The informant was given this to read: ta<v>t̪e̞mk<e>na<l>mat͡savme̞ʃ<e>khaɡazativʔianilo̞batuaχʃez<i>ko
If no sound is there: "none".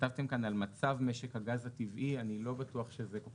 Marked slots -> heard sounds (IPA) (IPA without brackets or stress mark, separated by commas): v, a, l, e, e